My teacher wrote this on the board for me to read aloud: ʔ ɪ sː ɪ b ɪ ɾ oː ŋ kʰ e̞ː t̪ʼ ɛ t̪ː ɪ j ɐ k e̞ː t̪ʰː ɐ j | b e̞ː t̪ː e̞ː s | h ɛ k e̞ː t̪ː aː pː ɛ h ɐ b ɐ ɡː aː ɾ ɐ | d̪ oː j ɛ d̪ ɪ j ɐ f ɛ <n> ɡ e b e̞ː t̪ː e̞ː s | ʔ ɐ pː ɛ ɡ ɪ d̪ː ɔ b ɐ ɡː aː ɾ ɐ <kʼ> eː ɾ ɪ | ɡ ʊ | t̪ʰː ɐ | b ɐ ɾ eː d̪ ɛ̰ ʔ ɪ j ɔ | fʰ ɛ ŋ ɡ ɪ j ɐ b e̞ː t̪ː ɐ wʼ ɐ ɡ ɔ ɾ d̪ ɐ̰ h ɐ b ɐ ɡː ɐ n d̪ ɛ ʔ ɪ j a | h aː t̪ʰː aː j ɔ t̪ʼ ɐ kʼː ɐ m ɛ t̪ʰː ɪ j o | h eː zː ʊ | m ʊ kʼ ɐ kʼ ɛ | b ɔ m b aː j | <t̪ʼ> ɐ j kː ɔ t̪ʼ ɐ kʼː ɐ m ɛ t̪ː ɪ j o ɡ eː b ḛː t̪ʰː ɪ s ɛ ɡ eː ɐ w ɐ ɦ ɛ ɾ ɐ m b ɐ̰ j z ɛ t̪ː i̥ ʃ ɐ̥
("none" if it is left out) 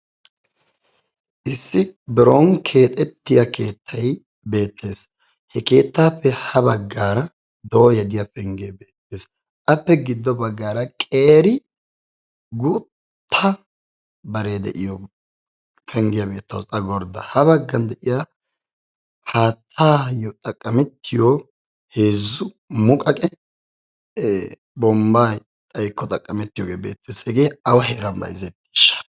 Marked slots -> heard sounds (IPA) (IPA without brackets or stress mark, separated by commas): ŋ, kʼ, t̪ʼ